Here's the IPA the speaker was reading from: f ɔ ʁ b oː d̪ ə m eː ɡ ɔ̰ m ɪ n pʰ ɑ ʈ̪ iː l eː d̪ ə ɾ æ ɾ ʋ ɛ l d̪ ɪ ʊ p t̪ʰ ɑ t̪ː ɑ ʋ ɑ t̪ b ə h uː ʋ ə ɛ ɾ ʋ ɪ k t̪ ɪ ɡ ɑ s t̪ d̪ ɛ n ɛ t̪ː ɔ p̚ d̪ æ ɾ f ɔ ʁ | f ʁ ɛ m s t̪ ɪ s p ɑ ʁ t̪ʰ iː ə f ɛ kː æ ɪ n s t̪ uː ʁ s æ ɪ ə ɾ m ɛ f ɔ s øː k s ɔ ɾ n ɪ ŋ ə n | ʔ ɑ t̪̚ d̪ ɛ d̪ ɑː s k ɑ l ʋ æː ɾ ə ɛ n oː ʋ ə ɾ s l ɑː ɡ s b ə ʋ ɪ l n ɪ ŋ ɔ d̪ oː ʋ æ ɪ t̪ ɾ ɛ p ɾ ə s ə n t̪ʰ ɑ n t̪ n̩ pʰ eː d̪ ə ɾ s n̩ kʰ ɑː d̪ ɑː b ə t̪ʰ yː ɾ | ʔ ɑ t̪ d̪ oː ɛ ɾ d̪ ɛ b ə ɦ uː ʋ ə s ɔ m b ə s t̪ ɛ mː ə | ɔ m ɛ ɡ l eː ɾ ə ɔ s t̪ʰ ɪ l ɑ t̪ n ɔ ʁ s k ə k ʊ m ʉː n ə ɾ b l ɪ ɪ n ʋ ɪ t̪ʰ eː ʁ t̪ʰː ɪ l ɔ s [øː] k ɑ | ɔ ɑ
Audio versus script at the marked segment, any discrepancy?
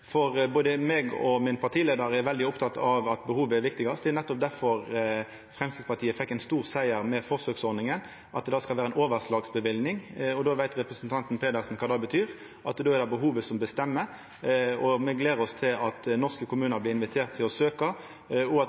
no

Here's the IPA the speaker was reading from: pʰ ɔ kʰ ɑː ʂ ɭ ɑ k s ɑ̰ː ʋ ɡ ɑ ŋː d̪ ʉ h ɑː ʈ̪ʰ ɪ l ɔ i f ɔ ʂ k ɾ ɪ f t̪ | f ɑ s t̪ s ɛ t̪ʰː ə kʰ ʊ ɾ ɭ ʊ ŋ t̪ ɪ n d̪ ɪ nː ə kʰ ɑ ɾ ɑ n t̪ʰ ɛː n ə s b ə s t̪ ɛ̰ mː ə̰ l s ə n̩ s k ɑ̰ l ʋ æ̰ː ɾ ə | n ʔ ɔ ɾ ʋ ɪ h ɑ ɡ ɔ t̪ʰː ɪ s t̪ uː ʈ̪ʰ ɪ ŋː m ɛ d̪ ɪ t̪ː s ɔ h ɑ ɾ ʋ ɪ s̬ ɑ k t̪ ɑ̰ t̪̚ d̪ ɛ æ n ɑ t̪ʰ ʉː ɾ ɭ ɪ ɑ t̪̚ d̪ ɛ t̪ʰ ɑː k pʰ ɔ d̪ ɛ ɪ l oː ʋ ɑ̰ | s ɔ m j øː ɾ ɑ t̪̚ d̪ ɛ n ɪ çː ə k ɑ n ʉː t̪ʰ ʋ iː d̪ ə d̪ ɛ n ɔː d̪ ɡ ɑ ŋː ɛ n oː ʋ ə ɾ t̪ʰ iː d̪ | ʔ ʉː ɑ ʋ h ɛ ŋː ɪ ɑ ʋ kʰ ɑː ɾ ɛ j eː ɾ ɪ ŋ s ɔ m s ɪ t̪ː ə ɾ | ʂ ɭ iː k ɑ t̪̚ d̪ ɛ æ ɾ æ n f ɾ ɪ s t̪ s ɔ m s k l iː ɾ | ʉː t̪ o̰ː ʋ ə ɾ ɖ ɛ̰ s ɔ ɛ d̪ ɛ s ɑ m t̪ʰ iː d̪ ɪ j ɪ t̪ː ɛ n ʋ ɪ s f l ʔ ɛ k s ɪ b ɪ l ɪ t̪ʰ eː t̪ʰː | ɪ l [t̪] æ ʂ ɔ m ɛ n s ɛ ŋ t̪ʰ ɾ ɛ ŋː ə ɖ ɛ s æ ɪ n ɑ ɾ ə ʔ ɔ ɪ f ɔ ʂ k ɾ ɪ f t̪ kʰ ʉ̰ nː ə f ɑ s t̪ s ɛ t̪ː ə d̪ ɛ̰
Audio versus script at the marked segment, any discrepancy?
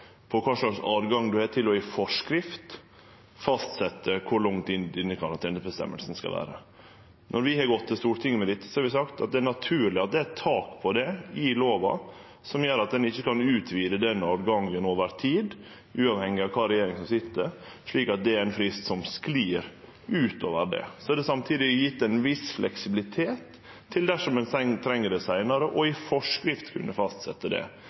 yes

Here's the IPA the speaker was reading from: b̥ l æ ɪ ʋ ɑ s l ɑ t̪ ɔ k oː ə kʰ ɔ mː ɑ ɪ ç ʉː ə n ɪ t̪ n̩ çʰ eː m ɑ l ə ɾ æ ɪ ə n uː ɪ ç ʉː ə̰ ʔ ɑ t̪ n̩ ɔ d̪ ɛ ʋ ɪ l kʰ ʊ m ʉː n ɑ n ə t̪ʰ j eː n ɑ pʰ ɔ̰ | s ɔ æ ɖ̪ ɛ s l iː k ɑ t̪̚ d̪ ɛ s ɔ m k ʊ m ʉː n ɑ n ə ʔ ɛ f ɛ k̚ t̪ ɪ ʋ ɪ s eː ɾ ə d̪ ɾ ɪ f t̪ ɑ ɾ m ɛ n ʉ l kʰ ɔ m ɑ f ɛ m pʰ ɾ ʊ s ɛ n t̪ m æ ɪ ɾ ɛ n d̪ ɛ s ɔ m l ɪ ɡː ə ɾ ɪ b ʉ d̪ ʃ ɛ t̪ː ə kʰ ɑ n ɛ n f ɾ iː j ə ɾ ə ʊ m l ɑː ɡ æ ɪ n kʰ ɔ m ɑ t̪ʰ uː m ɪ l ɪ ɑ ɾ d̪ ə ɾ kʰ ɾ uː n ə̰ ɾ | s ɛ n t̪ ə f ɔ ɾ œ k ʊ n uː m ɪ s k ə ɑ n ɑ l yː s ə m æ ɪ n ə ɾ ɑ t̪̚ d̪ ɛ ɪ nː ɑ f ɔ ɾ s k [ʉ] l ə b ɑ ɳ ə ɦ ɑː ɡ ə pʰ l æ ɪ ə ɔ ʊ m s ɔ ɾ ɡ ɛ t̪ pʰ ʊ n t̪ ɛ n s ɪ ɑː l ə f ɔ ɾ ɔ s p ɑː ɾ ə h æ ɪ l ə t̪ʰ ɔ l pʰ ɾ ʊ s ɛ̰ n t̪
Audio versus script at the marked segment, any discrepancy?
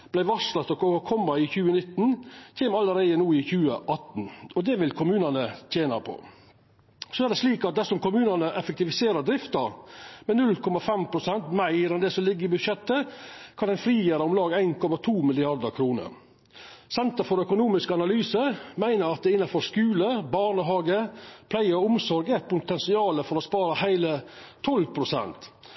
yes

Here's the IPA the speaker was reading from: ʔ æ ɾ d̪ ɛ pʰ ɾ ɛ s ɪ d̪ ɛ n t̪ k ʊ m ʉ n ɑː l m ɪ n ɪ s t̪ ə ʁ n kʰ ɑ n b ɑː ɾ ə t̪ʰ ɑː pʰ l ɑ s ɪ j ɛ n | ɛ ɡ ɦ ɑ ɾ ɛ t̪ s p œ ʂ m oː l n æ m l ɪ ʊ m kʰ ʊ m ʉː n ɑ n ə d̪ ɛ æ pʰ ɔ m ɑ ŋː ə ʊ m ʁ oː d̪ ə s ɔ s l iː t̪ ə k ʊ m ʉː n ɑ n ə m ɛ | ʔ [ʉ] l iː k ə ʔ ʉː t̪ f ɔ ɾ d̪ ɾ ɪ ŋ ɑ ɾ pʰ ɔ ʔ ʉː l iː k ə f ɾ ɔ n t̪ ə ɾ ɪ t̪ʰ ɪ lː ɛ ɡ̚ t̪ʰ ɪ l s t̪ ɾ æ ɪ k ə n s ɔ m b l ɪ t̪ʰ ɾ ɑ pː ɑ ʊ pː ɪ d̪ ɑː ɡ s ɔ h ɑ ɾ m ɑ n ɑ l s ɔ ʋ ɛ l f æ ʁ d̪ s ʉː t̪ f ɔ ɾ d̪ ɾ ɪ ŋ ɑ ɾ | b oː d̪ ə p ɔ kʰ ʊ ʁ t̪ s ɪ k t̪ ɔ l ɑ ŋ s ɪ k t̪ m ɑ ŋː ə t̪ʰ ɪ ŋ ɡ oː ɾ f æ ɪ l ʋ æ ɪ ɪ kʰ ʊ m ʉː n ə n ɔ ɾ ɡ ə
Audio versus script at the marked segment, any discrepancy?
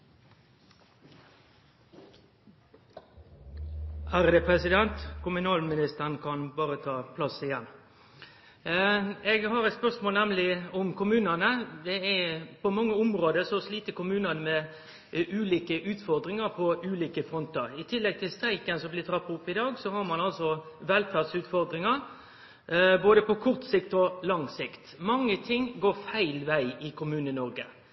yes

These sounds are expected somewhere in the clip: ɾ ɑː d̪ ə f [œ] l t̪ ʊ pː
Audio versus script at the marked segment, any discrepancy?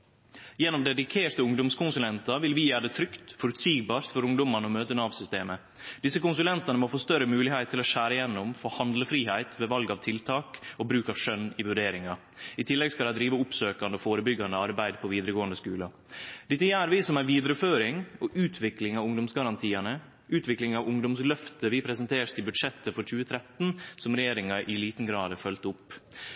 no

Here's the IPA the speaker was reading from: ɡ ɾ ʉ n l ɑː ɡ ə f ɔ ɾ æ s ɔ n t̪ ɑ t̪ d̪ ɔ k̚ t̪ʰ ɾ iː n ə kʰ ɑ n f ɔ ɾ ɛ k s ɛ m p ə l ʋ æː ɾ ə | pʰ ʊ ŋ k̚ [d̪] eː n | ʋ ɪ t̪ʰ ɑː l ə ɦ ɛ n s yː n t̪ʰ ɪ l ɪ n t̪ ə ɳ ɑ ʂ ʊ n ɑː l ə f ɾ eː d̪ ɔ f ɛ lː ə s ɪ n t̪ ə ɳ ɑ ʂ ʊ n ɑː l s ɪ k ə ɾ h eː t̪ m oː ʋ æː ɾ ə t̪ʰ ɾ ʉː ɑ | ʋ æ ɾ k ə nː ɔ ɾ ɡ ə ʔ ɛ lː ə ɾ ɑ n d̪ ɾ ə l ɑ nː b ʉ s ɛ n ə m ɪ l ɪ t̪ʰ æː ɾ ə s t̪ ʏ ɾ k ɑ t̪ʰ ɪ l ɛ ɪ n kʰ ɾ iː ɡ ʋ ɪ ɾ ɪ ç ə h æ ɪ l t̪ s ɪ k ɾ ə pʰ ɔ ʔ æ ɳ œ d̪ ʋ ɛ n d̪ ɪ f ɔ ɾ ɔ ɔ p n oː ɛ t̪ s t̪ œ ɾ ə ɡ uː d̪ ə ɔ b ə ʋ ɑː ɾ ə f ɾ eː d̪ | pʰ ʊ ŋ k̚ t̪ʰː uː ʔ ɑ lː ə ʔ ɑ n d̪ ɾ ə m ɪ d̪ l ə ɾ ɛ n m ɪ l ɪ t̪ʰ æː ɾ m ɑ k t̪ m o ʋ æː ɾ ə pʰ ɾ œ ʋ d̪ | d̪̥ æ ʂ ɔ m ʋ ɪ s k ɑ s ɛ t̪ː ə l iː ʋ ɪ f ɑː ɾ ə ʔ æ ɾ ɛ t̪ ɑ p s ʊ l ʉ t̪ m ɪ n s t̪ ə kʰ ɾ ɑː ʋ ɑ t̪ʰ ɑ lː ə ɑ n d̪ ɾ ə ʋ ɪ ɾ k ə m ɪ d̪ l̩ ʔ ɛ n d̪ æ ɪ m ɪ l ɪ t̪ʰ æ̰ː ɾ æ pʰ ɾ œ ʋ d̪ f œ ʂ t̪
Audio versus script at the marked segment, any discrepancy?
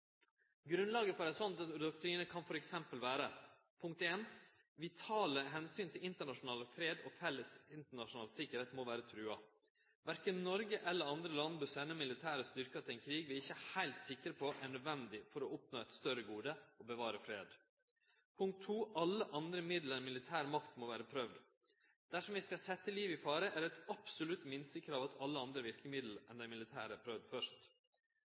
yes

